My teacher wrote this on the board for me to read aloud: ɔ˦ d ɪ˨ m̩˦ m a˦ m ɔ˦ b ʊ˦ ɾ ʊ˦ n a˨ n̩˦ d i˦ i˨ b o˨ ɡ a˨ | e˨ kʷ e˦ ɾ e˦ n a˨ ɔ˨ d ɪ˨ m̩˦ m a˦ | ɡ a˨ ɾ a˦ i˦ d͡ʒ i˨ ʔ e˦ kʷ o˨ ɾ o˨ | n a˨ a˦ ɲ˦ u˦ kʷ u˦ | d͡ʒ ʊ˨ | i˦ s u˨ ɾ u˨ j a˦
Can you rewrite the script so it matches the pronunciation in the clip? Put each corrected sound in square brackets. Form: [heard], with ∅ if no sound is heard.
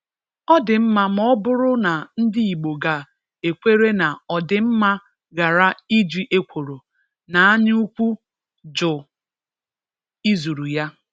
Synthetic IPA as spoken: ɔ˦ d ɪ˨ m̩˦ m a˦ m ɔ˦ b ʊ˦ ɾ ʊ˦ n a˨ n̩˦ d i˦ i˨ [ɡ͡b] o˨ ɡ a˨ | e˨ kʷ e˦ ɾ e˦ n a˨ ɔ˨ d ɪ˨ m̩˦ m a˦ | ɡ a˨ ɾ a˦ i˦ d͡ʒ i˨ ʔ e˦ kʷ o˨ ɾ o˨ | n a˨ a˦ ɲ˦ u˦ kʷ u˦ | d͡ʒ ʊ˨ | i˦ [z] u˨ ɾ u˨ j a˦